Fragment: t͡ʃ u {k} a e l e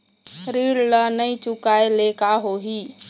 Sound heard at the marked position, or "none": k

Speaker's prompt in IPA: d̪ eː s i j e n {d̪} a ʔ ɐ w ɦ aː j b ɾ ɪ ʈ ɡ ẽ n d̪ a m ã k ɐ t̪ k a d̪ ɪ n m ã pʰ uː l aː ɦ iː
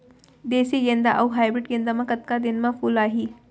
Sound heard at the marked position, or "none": d̪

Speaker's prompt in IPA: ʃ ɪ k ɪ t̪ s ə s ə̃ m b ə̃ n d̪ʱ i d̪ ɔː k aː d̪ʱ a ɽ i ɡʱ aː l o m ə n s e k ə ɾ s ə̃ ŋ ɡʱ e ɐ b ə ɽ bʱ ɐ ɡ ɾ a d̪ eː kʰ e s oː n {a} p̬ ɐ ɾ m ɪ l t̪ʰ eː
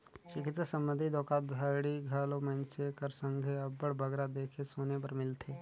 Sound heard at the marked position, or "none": e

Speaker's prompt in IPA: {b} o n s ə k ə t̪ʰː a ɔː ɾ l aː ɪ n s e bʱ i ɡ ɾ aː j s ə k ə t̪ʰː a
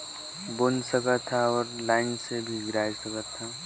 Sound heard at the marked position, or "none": b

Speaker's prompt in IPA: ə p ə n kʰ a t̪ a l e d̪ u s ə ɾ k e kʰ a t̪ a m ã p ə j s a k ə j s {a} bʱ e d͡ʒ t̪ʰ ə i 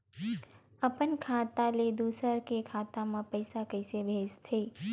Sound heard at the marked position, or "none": e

